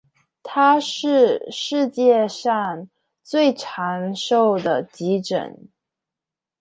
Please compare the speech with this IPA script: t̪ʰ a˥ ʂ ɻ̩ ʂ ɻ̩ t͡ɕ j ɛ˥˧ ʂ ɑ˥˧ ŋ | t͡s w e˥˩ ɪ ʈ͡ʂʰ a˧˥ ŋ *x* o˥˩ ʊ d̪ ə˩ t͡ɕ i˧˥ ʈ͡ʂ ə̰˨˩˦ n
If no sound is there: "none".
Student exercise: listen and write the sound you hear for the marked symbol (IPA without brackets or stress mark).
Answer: ʂ